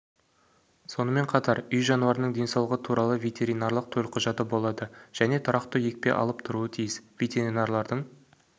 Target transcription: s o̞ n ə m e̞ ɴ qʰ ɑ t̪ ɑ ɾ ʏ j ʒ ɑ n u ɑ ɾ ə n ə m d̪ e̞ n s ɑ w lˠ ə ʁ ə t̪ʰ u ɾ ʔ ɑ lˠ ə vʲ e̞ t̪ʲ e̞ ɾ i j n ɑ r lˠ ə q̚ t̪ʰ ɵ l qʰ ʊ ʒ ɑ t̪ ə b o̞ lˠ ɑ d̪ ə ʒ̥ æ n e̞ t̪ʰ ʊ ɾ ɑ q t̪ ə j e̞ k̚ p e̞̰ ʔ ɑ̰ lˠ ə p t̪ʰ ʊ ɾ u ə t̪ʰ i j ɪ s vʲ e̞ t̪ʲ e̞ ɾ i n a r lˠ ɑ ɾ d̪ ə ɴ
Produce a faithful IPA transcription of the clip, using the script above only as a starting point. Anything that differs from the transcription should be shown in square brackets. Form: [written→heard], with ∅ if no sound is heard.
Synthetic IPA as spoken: s o̞ n ə m e̞ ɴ qʰ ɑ t̪ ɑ ɾ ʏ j ʒ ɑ n u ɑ ɾ ə n ə [m→ɴ] d̪ e̞ n s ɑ w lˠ ə ʁ ə t̪ʰ u ɾ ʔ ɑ lˠ ə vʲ e̞ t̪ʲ e̞ ɾ i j n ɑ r lˠ ə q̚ t̪ʰ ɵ l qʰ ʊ ʒ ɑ t̪ ə b o̞ lˠ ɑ d̪ ə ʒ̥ æ n e̞ t̪ʰ ʊ ɾ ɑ q t̪ ə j e̞ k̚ p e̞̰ ʔ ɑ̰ lˠ ə p t̪ʰ ʊ ɾ u ə t̪ʰ i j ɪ s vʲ e̞ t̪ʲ e̞ ɾ i n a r lˠ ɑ ɾ d̪ ə ɴ